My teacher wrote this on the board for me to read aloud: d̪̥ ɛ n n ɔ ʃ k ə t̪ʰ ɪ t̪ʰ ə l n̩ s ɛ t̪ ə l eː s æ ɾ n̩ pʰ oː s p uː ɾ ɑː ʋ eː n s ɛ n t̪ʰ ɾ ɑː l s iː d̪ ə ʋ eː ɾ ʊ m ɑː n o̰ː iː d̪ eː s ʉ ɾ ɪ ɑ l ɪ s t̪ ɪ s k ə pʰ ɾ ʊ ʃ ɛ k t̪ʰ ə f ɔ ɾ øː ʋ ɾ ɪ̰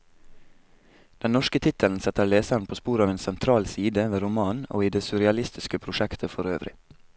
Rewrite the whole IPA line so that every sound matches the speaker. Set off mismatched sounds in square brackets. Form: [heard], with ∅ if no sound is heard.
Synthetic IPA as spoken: d̪̥ ɛ n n ɔ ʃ k ə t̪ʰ ɪ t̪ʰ ə l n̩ s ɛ t̪ ə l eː s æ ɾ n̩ pʰ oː s p uː ɾ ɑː ʋ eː n s ɛ n t̪ʰ ɾ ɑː l s iː d̪ ə ʋ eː ɾ ʊ m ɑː n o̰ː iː d̪ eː s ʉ ɾ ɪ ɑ l ɪ s t̪ ɪ s k ə pʰ ɾ ʊ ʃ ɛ k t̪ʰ ə f ɔ ɾ øː ʋ ɾ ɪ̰